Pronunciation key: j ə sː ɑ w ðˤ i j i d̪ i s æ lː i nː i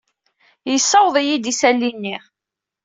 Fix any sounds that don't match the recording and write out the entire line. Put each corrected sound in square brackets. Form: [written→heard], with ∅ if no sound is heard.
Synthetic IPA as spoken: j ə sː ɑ w ðˤ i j i d̪ i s æ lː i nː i